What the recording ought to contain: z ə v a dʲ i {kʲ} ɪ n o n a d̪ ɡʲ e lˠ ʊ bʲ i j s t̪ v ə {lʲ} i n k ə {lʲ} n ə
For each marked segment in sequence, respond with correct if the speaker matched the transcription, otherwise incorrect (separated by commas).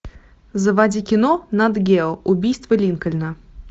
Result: correct, correct, correct